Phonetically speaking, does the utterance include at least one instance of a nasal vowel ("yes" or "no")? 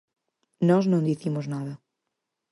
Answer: yes